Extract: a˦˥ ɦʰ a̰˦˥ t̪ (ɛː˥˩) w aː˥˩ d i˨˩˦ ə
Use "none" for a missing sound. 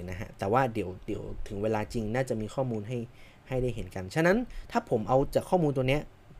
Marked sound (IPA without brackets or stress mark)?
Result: ɛː˨˩